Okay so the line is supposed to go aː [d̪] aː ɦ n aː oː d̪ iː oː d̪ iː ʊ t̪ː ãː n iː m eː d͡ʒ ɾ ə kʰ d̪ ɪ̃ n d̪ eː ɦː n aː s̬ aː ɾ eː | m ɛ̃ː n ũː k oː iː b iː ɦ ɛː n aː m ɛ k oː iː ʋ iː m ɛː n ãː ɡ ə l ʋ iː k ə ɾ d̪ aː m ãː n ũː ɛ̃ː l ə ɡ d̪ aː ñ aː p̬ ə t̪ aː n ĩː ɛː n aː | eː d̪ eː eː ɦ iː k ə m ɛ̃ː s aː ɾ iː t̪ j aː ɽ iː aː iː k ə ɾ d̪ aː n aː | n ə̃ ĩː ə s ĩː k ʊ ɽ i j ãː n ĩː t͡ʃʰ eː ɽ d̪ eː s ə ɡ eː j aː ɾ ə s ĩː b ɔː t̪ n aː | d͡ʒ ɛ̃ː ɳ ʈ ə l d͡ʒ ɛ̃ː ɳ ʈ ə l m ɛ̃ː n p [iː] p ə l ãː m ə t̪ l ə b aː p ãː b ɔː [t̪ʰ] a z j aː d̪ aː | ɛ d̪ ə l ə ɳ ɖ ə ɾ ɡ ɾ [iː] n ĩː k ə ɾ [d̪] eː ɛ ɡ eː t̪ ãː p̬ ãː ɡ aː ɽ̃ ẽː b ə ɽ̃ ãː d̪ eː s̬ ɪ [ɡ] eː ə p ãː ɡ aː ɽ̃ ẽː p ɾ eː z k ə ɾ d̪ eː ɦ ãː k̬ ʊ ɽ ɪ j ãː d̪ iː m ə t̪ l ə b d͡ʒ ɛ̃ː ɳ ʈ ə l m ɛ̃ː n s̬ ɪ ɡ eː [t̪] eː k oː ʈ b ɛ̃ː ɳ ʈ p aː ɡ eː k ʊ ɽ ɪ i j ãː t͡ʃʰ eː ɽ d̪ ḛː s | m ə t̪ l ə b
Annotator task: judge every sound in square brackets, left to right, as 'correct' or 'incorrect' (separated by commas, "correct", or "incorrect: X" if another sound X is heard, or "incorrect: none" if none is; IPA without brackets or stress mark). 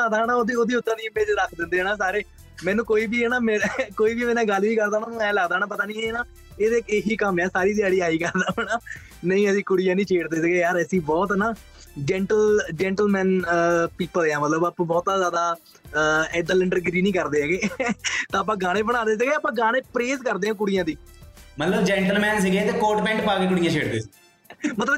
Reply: correct, correct, incorrect: t̪, correct, correct, correct, correct